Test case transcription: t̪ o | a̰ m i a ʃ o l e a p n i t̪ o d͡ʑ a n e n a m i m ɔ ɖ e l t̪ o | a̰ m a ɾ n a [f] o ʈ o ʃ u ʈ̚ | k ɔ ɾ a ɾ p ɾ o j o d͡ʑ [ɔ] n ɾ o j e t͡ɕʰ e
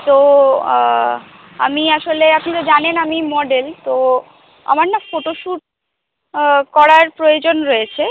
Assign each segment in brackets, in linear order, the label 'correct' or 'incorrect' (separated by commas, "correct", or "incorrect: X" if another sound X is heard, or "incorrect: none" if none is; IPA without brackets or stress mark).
correct, incorrect: o